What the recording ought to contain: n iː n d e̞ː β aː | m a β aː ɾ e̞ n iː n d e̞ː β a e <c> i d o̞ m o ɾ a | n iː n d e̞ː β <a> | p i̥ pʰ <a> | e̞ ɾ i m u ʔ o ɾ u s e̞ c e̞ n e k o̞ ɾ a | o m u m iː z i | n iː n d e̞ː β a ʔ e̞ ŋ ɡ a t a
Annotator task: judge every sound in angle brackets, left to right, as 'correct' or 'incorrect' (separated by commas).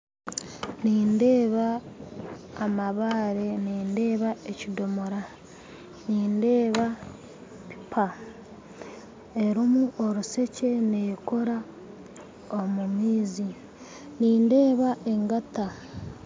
correct, correct, correct